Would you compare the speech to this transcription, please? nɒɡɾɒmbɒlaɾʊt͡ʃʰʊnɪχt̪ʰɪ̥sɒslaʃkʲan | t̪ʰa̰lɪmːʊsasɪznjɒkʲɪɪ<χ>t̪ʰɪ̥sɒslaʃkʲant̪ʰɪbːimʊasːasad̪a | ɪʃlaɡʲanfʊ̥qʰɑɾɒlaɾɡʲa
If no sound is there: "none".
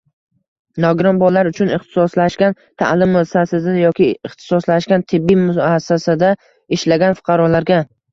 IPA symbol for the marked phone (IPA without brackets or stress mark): χ